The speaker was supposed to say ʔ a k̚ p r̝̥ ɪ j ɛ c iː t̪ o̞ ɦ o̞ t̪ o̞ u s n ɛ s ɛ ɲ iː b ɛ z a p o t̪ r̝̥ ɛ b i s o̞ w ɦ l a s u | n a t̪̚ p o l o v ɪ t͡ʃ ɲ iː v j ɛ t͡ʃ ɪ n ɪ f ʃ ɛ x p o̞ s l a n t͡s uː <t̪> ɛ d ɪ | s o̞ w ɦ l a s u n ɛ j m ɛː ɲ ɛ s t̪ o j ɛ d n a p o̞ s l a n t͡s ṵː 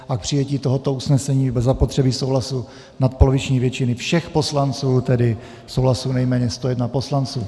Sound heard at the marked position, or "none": t̪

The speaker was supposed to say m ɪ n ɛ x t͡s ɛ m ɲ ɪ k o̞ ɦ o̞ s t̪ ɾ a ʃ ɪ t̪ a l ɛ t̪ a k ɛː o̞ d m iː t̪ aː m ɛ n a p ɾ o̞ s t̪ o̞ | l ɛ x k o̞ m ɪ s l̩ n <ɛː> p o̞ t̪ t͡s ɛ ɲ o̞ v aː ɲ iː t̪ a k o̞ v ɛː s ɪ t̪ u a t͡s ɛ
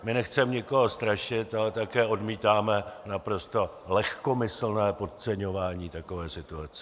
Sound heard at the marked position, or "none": ɛː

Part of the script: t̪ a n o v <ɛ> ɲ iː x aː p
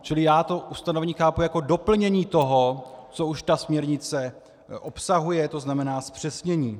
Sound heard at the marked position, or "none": ɛ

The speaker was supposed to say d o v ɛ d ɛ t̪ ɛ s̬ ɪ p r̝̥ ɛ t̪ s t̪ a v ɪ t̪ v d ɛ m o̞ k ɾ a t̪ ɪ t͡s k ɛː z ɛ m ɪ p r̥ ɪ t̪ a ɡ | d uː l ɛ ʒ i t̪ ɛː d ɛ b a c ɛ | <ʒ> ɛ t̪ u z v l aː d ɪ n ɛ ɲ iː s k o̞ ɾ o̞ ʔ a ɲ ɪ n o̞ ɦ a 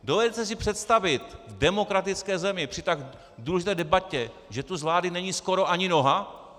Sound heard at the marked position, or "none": ʒ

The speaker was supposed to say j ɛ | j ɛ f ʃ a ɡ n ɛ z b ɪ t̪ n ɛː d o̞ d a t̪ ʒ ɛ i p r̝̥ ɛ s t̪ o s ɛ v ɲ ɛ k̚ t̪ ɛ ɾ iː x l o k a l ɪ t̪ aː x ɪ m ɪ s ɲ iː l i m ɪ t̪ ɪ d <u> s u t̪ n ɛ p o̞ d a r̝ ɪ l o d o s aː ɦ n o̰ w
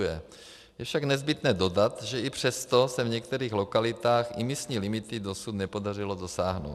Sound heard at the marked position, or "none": o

